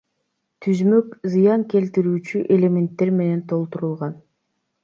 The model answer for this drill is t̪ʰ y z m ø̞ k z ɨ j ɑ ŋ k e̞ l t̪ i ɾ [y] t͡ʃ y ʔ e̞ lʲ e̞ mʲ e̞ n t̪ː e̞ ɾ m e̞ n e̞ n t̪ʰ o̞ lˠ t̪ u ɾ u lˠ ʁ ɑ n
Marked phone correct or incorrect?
incorrect